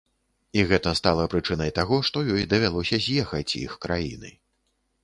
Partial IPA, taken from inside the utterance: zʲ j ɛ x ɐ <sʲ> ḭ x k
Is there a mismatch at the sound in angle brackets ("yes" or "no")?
yes